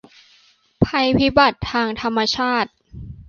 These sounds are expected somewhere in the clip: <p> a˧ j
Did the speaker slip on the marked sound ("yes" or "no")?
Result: yes